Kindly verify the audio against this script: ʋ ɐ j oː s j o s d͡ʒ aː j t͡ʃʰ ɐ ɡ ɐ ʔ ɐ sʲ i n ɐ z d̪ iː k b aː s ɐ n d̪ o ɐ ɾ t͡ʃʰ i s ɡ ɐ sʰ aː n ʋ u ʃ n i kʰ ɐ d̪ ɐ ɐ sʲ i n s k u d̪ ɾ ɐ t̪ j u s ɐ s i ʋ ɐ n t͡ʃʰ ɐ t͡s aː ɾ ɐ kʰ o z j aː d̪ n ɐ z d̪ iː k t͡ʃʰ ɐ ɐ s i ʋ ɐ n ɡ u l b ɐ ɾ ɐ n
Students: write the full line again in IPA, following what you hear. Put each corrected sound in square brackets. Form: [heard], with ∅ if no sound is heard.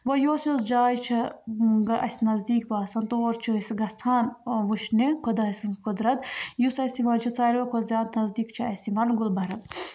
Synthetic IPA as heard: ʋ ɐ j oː s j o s d͡ʒ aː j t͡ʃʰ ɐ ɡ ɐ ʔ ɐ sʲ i n ɐ z d̪ iː k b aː s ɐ n [t̪] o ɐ ɾ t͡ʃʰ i s ɡ ɐ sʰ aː n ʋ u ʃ n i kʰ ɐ d̪ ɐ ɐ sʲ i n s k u d̪ ɾ ɐ t̪ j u s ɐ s i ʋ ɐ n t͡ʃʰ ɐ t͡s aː ɾ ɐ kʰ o z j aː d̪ n ɐ z d̪ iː k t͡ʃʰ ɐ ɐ s i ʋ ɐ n ɡ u l b ɐ ɾ ɐ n